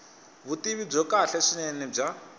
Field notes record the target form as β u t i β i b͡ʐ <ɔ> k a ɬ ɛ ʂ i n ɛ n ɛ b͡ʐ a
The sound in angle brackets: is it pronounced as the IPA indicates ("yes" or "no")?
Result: yes